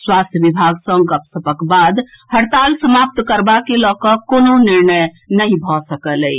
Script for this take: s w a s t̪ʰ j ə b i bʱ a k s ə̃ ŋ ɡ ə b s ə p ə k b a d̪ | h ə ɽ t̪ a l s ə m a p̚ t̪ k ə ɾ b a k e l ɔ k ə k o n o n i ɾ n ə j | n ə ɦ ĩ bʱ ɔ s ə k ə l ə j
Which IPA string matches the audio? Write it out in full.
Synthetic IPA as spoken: s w a s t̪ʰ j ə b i bʱ a ɡ s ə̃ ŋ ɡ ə p s ə p ə k b a d̪ | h ə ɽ t̪ a l s ə m a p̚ t̪ k ə ɾ b a k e l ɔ k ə k o n o n i ɾ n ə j | n ə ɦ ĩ bʱ ɔ s ə k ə l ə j